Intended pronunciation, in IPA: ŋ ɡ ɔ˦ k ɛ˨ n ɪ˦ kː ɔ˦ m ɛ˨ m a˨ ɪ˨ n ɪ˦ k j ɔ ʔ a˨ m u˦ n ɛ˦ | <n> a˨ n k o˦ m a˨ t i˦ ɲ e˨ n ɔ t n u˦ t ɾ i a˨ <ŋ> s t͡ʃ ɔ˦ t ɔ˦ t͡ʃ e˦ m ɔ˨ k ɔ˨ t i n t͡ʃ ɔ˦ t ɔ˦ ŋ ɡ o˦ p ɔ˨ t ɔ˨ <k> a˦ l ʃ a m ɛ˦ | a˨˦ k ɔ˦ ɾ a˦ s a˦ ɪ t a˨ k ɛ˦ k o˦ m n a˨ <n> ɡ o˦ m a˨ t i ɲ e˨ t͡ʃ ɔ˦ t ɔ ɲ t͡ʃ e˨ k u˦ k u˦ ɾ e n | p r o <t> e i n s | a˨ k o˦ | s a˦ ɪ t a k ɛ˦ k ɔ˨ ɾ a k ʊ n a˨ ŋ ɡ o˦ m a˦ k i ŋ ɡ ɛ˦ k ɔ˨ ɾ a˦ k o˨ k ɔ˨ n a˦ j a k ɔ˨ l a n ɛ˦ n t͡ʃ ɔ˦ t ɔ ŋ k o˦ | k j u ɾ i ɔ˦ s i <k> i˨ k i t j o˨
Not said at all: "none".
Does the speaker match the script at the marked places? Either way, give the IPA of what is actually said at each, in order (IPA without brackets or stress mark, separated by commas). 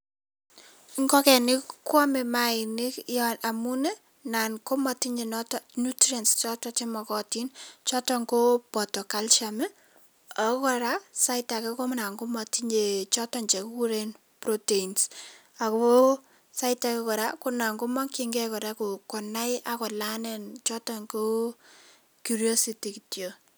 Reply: n, n, k, ŋ, t, t